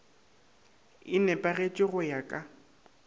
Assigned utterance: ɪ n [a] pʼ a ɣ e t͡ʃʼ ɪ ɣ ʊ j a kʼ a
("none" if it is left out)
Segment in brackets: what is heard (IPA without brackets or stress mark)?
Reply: ɛ